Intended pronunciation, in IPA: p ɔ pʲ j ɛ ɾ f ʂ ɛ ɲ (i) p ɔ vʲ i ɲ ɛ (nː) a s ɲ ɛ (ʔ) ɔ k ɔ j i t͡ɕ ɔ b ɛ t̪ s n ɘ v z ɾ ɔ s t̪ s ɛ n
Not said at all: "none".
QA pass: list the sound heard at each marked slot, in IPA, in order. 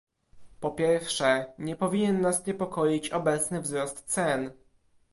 ɛ, nː, p

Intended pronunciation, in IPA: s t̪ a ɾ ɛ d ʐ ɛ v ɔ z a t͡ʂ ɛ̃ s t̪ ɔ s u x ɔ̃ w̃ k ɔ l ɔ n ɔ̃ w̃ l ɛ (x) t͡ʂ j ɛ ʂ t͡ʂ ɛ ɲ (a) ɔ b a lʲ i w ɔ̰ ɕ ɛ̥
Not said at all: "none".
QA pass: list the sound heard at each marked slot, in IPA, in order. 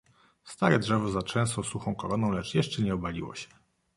none, ɛ

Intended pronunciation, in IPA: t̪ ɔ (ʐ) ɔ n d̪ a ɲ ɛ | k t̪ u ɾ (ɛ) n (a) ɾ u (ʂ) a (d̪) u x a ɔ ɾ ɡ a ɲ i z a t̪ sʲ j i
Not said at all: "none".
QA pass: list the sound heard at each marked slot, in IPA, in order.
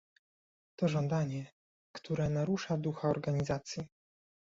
ʐ, ɛ, a, ʂ, d̪

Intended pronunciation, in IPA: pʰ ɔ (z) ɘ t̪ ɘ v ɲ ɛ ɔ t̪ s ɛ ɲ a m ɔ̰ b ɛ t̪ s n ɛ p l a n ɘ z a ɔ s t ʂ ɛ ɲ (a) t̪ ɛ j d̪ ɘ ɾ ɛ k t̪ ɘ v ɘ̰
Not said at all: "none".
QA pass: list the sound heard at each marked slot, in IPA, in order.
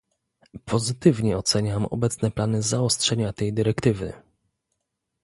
z, a

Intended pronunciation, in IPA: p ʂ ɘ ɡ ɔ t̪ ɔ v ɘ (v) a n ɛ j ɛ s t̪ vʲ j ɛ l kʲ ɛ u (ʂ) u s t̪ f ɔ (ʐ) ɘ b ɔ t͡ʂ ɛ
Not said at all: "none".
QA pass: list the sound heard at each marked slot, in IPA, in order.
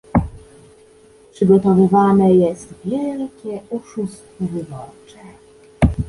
v, ʂ, v

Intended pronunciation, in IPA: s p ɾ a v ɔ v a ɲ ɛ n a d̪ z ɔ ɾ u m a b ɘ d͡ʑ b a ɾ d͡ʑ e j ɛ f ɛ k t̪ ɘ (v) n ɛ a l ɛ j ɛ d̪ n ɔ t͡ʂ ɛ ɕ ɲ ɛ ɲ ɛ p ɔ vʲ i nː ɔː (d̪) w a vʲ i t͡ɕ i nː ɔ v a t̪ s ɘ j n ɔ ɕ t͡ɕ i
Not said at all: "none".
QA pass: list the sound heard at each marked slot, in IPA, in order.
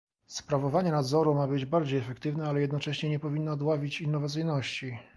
v, d̪

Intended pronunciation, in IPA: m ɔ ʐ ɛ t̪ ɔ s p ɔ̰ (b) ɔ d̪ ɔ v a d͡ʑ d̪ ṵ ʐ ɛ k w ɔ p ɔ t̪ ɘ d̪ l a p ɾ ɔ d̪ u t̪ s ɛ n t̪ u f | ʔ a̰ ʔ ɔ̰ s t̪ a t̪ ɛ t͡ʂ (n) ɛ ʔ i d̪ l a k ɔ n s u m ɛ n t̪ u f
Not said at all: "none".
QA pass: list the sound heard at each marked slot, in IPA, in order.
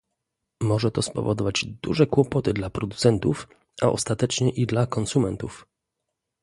v, ɲ

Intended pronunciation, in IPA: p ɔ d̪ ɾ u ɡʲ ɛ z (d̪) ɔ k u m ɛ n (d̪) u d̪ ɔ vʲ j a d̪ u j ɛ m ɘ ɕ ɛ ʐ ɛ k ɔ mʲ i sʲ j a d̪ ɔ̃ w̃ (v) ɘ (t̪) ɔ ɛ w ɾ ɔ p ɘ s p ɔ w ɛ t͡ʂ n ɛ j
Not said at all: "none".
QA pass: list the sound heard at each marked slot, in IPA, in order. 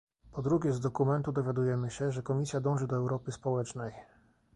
d̪, t̪, ʐ, d̪

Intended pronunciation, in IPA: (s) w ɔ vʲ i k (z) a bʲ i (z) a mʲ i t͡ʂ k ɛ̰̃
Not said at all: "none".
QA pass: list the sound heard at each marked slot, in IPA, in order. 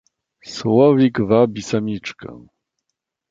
s, v, s

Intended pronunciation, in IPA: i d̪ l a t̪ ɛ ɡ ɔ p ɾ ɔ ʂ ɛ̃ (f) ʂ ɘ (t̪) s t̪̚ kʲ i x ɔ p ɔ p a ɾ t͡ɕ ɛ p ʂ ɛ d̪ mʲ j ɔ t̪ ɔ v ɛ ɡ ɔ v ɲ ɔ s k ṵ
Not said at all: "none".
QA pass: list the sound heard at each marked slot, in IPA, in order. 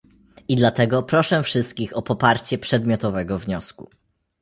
f, none

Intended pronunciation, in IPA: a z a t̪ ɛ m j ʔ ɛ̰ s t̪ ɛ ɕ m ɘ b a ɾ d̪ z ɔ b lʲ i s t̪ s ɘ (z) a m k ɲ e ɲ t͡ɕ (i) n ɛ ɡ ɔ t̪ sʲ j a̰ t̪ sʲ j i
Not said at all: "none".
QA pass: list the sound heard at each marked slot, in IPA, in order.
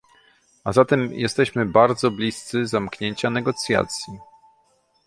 z, a

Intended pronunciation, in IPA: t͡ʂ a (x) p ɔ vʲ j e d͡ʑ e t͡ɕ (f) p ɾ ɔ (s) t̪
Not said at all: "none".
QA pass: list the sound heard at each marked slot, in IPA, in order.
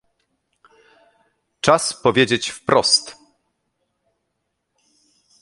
s, f, s

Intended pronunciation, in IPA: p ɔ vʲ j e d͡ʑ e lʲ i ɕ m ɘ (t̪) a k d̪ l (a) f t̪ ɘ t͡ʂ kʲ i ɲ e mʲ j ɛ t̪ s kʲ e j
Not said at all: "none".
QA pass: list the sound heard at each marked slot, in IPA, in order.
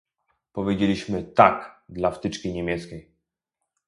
t̪, a

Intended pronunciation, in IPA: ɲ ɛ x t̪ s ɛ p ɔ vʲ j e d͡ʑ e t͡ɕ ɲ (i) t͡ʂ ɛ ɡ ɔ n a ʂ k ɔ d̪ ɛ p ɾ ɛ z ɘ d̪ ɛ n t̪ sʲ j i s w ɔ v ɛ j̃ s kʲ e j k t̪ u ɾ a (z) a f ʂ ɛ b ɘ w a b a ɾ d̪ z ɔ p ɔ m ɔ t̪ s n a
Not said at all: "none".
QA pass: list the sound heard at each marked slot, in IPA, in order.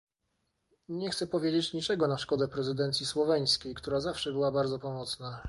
i, z

